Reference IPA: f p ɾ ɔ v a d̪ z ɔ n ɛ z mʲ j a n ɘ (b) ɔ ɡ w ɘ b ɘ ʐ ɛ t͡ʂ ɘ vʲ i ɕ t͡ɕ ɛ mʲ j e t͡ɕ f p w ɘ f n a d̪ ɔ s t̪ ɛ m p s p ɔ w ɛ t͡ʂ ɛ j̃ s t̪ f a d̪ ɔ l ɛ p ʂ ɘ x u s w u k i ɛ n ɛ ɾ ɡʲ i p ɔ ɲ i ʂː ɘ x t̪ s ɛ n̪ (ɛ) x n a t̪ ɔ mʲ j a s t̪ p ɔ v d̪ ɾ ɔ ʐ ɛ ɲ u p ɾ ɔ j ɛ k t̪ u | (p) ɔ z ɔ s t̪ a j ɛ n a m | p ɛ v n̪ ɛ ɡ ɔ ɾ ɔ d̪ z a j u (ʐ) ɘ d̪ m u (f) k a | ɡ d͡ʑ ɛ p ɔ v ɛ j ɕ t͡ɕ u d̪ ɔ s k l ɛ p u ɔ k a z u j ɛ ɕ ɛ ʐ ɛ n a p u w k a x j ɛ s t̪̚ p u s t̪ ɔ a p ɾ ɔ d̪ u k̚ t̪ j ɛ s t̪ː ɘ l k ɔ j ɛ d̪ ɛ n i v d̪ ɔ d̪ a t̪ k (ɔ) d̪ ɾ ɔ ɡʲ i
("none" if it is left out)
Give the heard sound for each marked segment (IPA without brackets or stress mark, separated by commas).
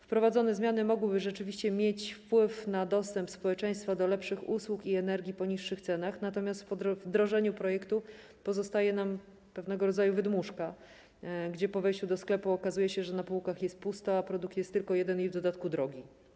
m, a, p, v, ʂ, u